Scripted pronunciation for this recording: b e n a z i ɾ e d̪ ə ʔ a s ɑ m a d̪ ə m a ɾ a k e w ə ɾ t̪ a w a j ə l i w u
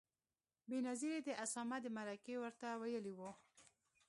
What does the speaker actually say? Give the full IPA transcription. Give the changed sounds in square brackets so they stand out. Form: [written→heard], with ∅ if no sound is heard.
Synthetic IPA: b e n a z i ɾ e d̪ ə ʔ a s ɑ m a d̪ ə m a ɾ a k e w ə ɾ t̪ a w a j ə l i w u